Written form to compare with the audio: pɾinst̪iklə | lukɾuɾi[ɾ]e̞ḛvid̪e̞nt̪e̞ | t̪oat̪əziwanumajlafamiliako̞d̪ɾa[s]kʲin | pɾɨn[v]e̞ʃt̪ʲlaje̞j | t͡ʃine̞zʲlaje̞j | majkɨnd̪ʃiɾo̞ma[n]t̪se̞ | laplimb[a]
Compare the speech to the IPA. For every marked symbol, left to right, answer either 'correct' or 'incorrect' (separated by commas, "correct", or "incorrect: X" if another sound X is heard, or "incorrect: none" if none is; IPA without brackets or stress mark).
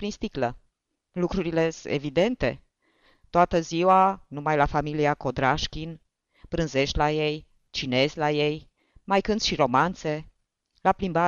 incorrect: l, incorrect: ʃ, incorrect: z, correct, correct